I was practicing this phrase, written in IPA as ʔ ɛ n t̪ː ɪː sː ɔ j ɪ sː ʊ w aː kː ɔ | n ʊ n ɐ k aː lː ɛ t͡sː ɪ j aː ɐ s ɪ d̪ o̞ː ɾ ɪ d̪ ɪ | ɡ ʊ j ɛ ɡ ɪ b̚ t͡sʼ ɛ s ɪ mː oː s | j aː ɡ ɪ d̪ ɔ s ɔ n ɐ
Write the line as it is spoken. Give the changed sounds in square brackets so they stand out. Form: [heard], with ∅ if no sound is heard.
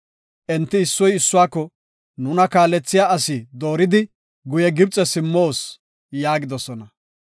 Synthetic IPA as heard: ʔ ɛ n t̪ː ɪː sː ɔ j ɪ sː ʊ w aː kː ɔ | n ʊ n ɐ k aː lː ɛ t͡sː ɪ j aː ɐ s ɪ d̪ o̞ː ɾ ɪ d̪ ɪ | ɡ ʊ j ɛ ɡ ɪ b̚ t͡sʼ ɛ s ɪ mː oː s | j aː ɡ ɪ d̪ ɔ s ɔ n ɐ

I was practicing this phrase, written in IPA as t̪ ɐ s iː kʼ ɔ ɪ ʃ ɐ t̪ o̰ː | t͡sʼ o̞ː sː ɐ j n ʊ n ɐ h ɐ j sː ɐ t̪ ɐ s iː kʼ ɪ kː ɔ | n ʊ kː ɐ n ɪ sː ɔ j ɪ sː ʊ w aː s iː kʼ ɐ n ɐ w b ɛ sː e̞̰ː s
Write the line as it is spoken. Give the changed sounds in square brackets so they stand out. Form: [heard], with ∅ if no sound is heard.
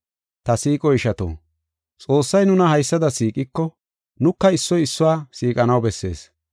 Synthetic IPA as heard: t̪ ɐ s iː kʼ ɔ ɪ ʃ ɐ t̪ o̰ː | t͡sʼ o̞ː sː ɐ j n ʊ n ɐ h ɐ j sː ɐ [d̪] ɐ s iː kʼ ɪ kː ɔ | n ʊ kː ɐ [∅] ɪ sː ɔ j ɪ sː ʊ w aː s iː kʼ ɐ n ɐ w b ɛ sː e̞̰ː s

